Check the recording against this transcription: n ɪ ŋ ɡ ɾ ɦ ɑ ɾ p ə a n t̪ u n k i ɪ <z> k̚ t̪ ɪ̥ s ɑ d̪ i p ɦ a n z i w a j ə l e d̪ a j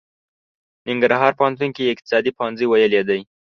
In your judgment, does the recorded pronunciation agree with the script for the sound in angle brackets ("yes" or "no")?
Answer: no